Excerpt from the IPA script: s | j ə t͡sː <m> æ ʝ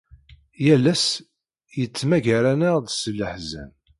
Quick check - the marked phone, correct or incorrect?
correct